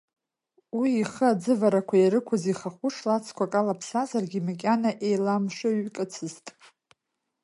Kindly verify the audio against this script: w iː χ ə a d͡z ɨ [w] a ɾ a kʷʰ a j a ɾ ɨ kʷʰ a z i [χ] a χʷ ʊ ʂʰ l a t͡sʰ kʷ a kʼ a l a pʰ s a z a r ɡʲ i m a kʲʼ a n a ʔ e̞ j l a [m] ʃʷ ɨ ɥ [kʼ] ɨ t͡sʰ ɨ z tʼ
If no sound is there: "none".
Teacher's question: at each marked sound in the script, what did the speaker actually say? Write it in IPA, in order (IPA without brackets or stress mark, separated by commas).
v, χ, m, kʼ